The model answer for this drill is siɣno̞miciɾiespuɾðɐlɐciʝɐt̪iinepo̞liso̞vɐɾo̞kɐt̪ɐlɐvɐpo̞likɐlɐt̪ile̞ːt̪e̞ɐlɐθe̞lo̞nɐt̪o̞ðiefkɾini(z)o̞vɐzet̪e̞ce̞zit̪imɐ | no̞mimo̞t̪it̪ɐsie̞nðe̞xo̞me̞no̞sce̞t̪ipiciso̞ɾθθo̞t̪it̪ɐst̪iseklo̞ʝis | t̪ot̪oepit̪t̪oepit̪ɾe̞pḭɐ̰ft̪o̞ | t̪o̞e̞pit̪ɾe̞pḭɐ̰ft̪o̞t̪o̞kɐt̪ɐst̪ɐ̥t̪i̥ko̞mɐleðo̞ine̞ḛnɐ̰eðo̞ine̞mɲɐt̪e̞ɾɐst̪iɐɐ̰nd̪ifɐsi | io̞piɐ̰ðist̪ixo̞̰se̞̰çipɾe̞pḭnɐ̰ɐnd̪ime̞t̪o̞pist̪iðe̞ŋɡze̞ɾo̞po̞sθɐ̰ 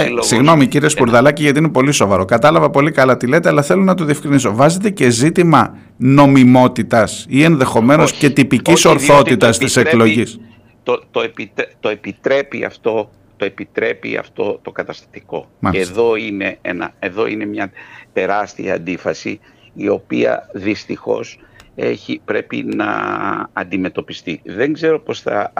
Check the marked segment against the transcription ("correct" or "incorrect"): incorrect